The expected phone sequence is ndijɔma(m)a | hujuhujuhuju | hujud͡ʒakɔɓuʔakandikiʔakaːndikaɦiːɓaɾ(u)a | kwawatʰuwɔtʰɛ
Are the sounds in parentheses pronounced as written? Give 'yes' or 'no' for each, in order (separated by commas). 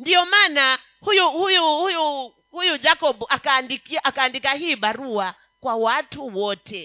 no, yes